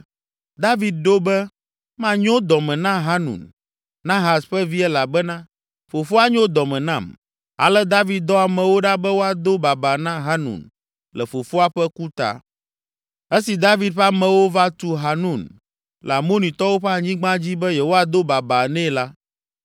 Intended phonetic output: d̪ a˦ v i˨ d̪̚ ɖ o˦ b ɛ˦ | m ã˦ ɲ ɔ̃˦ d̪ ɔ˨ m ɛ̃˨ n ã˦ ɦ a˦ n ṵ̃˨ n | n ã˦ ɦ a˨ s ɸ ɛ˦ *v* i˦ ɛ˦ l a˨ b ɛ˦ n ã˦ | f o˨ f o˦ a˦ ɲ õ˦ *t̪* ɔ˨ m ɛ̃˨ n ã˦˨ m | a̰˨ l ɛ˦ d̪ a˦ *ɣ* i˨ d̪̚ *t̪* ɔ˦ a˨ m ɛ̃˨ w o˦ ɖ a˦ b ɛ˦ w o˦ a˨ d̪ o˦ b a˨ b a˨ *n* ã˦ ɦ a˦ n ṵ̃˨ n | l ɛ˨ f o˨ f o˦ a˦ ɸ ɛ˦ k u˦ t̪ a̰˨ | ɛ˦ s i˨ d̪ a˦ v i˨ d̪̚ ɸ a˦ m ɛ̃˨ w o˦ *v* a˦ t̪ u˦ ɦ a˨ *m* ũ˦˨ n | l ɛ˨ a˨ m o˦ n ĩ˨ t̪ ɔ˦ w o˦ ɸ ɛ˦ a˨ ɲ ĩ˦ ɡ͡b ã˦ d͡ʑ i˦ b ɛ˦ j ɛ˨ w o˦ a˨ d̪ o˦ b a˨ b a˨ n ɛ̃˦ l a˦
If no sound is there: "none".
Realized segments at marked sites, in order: v, d̪, v, d̪, n, v, n

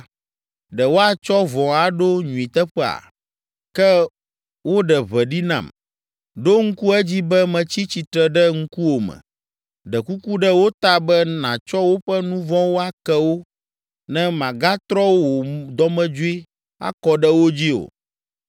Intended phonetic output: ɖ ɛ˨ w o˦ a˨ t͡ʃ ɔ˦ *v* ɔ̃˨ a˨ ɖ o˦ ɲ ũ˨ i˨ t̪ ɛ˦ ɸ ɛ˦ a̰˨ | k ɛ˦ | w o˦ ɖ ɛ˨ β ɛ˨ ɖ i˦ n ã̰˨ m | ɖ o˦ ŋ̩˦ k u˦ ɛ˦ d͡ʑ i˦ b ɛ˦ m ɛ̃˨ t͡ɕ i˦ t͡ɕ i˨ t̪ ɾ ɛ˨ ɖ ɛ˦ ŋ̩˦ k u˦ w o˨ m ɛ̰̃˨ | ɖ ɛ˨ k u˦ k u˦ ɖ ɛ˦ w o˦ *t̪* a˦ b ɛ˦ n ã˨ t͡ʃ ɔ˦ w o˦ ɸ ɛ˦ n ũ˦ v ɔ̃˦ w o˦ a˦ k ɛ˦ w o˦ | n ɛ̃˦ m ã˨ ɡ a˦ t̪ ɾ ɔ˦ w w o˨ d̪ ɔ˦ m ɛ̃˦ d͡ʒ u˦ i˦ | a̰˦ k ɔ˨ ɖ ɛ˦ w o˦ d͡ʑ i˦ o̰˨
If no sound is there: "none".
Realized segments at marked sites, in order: v, t̪

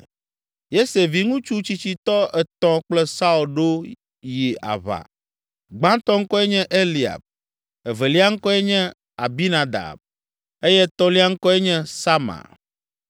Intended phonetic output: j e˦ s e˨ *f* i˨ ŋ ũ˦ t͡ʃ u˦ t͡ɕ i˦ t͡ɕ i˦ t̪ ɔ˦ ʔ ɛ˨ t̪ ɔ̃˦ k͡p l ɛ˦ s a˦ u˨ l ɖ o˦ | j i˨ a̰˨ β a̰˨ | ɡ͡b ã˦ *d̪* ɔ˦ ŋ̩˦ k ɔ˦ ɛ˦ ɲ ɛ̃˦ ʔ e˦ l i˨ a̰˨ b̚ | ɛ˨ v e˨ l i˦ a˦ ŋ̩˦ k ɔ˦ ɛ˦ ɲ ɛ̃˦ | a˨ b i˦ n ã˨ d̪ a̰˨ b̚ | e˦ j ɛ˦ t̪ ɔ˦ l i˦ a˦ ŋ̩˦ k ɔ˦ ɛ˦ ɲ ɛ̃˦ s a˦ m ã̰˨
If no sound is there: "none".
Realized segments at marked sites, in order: v, t̪

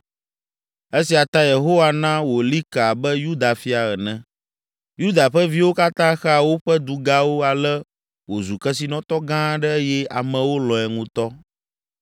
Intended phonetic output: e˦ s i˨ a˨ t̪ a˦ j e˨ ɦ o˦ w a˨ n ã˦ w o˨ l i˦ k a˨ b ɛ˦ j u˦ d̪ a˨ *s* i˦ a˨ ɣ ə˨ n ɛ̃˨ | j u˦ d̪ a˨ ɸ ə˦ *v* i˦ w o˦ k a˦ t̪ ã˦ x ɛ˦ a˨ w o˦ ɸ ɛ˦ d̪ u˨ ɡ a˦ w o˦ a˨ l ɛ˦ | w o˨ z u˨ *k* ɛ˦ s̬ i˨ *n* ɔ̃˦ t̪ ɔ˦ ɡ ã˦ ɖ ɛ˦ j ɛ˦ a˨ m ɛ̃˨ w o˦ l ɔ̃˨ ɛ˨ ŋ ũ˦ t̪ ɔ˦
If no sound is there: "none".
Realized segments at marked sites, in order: f, v, k, n

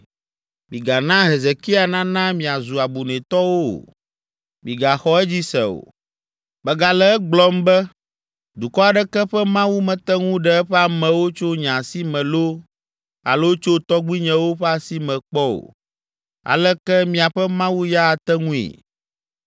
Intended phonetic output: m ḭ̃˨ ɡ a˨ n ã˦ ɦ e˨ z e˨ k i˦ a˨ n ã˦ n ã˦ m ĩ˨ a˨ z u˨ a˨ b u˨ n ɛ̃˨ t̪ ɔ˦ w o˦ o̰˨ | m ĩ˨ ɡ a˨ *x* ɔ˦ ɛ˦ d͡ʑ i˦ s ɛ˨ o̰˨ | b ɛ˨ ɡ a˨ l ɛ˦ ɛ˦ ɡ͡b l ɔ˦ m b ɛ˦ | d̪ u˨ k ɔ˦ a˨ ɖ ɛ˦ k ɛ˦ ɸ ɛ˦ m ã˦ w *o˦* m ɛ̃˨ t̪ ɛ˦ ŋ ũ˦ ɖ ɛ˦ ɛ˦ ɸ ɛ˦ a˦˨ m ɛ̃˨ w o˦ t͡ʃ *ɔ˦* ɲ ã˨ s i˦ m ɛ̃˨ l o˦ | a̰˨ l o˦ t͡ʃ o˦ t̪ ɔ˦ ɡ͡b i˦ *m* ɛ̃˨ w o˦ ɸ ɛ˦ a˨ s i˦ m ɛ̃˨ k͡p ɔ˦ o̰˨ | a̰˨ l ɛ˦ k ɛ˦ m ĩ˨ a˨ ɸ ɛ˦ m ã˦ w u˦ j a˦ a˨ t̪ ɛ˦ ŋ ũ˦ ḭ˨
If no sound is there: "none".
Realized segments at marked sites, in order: x, u˦, o˦, ɲ

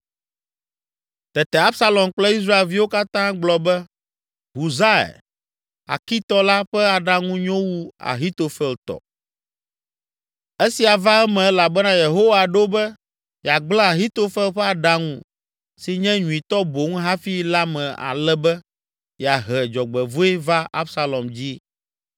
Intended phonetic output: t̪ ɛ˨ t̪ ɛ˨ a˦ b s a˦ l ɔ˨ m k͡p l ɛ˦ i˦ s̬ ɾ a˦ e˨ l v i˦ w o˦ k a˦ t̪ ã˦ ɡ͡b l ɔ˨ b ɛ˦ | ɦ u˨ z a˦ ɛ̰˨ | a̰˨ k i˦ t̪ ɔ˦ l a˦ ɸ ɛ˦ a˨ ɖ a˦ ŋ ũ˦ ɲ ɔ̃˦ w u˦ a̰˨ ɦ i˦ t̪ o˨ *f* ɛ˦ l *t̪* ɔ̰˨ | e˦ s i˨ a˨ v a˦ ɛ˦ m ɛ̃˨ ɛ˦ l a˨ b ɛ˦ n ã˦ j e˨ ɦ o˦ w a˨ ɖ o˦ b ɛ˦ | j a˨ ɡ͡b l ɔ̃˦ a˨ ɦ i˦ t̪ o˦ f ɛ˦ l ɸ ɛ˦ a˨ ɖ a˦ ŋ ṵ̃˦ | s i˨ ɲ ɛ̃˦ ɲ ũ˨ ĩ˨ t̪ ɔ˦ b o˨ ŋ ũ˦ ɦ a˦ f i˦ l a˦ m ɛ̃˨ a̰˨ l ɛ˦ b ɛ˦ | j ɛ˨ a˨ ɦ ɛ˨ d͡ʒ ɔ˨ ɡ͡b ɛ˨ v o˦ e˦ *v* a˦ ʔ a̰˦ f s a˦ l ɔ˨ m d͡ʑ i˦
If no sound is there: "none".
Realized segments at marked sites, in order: f, t̪, v

